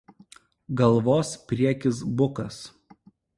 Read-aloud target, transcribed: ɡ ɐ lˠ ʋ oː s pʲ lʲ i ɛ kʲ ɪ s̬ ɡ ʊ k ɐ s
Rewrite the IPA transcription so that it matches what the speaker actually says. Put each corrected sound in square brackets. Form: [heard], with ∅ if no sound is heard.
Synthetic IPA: ɡ ɐ lˠ ʋ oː s pʲ [ɾʲ] i ɛ kʲ ɪ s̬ [b] ʊ k ɐ s

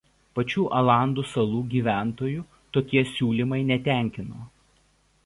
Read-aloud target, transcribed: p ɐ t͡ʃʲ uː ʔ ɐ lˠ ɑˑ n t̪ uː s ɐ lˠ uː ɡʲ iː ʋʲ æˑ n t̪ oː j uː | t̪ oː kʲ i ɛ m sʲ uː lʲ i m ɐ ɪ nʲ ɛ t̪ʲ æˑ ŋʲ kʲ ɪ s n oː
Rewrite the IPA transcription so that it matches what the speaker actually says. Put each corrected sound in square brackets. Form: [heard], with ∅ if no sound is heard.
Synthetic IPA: p ɐ t͡ʃʲ uː ʔ ɐ lˠ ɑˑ n [d̪] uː s ɐ lˠ uː ɡʲ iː ʋʲ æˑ n t̪ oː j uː | t̪ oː kʲ i ɛ [∅] sʲ uː lʲ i m ɐ ɪ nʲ ɛ t̪ʲ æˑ ŋʲ kʲ ɪ [∅] n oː

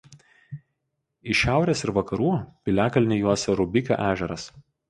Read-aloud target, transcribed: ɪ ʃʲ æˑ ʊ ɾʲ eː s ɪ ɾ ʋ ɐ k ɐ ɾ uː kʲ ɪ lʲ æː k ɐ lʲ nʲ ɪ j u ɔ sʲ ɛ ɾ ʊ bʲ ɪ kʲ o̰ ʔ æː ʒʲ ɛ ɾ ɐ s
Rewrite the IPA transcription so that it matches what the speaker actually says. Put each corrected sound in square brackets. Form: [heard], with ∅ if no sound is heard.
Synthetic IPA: ɪ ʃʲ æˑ ʊ ɾʲ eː s ɪ ɾ ʋ ɐ k ɐ ɾ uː [pʲ] ɪ lʲ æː k ɐ lʲ nʲ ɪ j u ɔ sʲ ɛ ɾ ʊ bʲ ɪ kʲ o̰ ʔ æː ʒʲ ɛ ɾ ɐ s

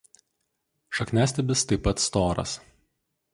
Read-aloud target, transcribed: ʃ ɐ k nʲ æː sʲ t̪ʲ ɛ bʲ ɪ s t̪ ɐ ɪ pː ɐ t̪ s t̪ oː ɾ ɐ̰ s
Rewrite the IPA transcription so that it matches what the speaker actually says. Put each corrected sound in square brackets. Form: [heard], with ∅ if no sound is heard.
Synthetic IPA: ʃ ɐ k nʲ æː sʲ t̪ʲ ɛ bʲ ɪ s t̪ ɐ ɪ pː ɐ t̪ s t̪ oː ɾ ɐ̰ s

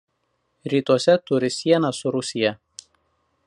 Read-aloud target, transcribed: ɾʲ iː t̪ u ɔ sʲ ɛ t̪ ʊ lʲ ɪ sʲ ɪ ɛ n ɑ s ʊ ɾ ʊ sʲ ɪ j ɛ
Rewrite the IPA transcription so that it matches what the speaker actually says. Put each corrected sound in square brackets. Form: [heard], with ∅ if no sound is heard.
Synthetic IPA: ɾʲ iː t̪ u ɔ sʲ ɛ t̪ ʊ [ɾʲ] ɪ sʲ [i] ɛ n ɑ s ʊ ɾ ʊ sʲ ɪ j ɛ

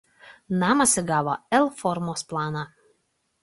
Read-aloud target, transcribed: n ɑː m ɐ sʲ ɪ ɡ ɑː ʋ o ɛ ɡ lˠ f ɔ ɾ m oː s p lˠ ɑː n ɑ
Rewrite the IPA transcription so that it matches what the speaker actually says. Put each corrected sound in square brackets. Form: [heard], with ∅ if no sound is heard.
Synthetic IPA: n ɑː m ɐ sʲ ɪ ɡ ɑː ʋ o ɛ [∅] lˠ f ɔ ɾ m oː s p lˠ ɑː n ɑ

